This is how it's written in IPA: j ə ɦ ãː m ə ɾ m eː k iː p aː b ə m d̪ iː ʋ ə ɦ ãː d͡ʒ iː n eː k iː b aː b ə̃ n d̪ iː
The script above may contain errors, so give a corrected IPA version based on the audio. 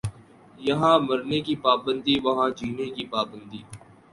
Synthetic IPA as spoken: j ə ɦ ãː m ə ɾ n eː k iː p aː b ə n d̪ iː ʋ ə ɦ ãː d͡ʒ iː n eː k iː p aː b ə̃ n d̪ iː